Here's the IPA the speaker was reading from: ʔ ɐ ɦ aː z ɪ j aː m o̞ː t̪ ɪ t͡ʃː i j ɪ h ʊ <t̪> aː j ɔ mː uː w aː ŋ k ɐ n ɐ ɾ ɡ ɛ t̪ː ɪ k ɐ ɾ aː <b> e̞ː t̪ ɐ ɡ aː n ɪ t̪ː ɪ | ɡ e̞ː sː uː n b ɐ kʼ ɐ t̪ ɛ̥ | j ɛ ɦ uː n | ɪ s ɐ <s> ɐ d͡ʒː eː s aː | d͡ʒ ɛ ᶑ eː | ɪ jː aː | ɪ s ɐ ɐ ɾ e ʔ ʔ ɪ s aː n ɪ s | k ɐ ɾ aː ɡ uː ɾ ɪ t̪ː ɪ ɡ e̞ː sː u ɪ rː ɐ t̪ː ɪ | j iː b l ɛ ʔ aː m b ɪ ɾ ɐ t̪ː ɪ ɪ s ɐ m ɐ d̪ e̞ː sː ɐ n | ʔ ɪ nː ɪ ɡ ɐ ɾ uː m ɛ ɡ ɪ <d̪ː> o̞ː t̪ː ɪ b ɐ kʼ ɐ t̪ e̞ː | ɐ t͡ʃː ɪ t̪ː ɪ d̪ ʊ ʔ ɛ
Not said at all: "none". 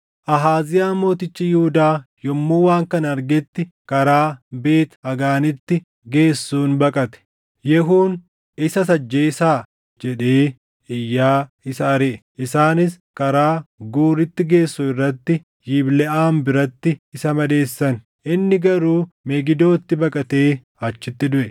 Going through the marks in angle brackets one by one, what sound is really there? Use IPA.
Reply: d̪, b, s, d̪

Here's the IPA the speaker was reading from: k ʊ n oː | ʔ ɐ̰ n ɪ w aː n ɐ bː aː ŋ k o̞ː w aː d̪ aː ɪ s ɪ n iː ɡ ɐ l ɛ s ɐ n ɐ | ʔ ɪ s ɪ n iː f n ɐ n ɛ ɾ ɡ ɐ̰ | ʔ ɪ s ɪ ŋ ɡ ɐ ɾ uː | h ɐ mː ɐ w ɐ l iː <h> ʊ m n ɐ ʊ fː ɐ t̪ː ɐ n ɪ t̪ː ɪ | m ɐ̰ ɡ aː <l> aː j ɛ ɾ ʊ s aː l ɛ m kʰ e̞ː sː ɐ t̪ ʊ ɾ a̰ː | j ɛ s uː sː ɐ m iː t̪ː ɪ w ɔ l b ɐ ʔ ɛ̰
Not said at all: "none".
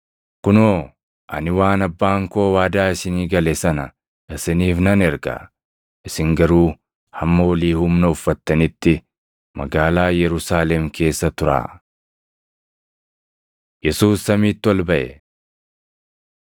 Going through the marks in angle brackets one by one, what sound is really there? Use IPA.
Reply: h, l

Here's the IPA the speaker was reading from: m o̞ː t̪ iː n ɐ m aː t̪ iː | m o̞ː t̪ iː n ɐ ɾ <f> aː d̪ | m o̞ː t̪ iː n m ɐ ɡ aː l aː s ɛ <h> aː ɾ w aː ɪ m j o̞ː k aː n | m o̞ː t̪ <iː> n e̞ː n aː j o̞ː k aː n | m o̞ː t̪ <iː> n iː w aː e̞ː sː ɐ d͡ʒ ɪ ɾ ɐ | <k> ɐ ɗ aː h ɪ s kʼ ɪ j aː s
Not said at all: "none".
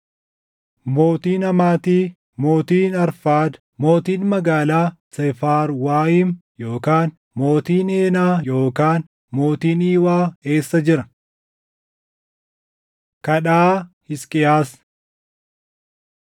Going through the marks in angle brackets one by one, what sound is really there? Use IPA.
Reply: f, f, iː, iː, k

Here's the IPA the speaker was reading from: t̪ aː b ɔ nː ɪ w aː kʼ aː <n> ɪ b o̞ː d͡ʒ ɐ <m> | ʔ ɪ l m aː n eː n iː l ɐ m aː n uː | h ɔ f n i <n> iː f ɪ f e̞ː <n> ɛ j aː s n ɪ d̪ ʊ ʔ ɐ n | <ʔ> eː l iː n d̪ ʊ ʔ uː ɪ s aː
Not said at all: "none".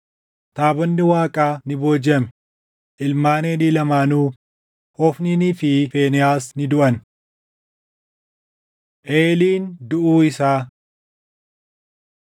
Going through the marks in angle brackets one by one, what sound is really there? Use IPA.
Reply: n, m, n, n, ʔ

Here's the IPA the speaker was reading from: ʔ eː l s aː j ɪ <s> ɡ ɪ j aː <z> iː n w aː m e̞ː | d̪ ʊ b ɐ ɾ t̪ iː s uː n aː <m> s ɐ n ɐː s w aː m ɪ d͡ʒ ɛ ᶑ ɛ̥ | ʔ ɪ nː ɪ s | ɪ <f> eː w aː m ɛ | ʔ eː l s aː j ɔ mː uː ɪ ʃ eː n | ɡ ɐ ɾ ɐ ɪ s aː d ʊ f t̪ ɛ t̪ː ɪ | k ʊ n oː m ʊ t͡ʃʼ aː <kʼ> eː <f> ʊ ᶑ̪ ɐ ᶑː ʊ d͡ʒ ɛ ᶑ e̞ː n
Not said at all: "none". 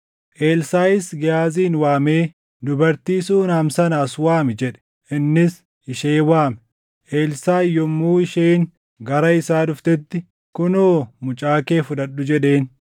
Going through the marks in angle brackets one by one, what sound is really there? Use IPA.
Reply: s, z, m, ʃ, k, f

